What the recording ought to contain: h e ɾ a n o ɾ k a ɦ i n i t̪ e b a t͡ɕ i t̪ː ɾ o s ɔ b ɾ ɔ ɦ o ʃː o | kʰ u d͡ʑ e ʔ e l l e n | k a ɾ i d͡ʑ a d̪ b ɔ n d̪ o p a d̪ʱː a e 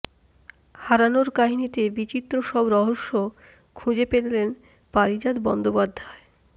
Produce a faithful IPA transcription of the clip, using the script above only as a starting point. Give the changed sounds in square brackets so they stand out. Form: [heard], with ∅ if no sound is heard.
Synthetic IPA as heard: h [a] ɾ a n o ɾ k a ɦ i n i t̪ e b [i] t͡ɕ i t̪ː ɾ o [ʃ] ɔ b ɾ ɔ ɦ o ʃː o | kʰ u d͡ʑ e [p] e l l e n | [p] a ɾ i d͡ʑ a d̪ b ɔ n d̪ o p a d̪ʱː a e